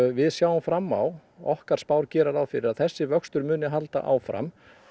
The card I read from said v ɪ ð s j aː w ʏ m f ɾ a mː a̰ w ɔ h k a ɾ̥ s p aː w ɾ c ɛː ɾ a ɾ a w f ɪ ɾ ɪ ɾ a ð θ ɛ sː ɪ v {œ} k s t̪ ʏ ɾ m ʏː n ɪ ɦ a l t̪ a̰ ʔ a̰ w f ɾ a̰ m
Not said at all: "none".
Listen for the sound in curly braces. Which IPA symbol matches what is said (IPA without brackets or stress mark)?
œ